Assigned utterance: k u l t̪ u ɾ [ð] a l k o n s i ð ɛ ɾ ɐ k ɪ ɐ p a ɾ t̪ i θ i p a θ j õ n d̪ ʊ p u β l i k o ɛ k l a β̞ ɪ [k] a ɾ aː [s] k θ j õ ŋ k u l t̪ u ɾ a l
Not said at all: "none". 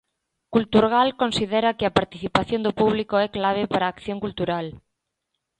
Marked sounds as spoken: ɣ, p, none

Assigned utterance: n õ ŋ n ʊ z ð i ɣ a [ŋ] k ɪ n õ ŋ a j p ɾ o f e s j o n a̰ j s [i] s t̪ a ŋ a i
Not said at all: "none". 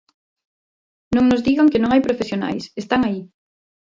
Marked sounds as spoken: ŋ, e

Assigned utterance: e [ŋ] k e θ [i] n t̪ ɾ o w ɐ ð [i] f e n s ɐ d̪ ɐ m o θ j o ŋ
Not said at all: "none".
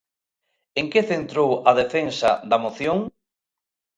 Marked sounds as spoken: ŋ, e, e

